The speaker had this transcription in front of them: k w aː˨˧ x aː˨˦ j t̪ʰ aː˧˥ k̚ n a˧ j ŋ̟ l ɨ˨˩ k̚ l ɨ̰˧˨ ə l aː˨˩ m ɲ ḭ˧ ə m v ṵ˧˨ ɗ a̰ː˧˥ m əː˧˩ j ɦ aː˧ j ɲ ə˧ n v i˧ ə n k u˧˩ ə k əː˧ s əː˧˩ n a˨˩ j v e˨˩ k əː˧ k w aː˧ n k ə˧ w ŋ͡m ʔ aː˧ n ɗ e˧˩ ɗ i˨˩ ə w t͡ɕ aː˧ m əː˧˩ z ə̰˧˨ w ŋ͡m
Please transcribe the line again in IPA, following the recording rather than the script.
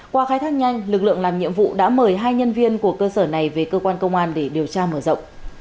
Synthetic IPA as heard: k w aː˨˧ x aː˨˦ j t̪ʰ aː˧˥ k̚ ɲ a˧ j ŋ̟ l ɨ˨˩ k̚ l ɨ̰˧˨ ə l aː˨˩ m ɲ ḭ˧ ə m v ṵ˧˨ ɗ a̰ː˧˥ m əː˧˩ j ɦ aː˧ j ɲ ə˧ n v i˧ ə n k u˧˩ ə k əː˧ s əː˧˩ n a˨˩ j v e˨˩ k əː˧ k w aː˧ n k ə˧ w ŋ͡m ʔ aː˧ n ɗ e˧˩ ɗ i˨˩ ə w t͡ɕ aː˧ m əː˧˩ z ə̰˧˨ w ŋ͡m